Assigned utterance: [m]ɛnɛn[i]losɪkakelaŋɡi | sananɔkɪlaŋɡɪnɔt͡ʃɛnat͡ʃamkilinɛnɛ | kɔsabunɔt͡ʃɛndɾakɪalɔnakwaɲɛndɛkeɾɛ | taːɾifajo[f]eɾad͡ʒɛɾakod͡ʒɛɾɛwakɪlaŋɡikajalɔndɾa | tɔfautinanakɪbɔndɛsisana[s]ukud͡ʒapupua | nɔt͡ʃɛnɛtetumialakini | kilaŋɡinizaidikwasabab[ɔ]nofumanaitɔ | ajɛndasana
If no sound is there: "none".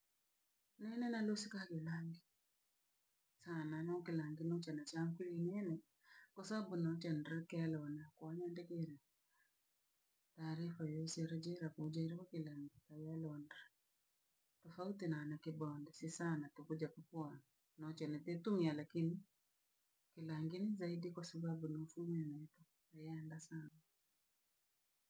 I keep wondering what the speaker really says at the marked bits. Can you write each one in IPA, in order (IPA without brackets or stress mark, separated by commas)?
n, a, s, t, u